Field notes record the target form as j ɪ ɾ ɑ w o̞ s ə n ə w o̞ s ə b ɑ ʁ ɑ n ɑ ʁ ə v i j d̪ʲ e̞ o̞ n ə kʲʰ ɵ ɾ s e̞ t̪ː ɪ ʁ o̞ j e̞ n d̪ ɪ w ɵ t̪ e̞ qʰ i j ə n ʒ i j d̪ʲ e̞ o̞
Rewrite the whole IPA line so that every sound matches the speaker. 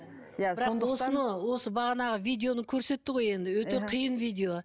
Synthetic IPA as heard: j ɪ ɾ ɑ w o̞ s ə n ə w o̞ s ə b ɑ ʁ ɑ n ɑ ʁ ə v i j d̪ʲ e̞ o̞ n ə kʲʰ ɵ ɾ s e̞ t̪ː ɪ ʁ o̞ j e̞ n d̪ ɪ w ɵ t̪ e̞ qʰ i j ə n v i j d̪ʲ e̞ o̞